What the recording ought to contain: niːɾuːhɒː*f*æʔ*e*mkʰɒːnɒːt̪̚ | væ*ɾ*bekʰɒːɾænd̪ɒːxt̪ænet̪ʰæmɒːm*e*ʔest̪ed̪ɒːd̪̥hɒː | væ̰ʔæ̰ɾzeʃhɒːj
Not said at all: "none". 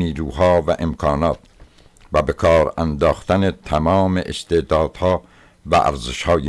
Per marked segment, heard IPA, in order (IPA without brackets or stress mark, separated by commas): v, e, none, e